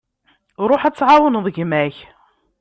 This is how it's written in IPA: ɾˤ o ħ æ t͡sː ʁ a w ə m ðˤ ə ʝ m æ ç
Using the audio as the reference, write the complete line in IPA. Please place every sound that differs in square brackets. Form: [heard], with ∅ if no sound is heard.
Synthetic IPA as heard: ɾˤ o ħ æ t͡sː [ʕ] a w ə [n] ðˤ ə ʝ m æ ç

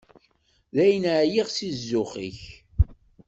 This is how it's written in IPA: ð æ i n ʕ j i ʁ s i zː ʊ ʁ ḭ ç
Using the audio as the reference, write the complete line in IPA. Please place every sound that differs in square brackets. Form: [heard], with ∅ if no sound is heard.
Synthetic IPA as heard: ð æ [j] n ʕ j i ʁ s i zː ʊ [χ] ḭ ç

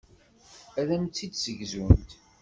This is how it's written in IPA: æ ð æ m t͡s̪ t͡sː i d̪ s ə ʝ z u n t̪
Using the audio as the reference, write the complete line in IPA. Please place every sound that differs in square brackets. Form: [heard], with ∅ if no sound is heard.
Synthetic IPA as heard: æ ð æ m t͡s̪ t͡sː i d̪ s ə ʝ z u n t̪

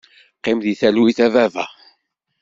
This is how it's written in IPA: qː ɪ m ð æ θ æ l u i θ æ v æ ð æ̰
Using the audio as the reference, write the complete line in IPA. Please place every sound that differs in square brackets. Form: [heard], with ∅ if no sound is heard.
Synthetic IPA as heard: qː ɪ m ð [i] θ æ l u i θ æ v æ [v] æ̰

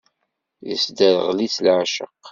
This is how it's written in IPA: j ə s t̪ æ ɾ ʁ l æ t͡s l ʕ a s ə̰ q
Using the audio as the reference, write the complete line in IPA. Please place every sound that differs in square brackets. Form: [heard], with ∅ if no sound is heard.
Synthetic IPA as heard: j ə s [d̪] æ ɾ ʁ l [i] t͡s l ʕ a [ʃ] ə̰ q

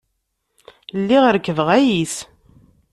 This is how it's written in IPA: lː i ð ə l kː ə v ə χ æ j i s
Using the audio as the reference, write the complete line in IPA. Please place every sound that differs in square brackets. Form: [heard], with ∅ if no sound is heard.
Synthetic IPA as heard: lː i [ʁ] ə [ɾ] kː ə v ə [ʁ] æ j i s

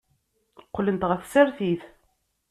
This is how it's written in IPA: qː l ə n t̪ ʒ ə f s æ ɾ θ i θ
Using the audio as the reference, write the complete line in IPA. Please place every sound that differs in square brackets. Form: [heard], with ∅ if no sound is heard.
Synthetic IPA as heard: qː l ə n t̪ [ʁ] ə [θ] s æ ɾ θ i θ

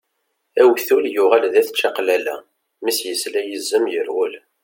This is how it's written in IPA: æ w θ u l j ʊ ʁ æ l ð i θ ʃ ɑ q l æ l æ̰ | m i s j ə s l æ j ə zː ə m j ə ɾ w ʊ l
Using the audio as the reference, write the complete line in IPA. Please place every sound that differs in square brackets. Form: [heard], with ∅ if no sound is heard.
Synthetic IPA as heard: æ w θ u l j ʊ ʁ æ l ð [æ] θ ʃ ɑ q l æ l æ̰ | m i s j ə s l æ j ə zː ə m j ə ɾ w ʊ l

